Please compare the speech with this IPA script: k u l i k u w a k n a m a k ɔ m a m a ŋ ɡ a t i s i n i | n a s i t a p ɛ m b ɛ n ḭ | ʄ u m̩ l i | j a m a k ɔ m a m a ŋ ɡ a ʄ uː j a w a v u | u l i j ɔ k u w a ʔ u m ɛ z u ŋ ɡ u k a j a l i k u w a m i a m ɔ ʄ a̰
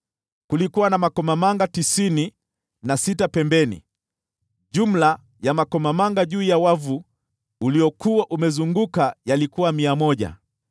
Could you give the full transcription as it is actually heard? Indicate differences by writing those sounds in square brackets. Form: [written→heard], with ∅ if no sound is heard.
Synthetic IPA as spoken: k u l i k u w a [k→∅] n a m a k ɔ m a m a ŋ ɡ a t i s i n i | n a s i t a p ɛ m b ɛ n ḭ | ʄ u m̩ l [i→a] | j a m a k ɔ m a m a ŋ ɡ a ʄ uː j a w a v u | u l i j ɔ k u w a ʔ u m ɛ z u ŋ ɡ u k a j a l i k u w a m i a m ɔ ʄ a̰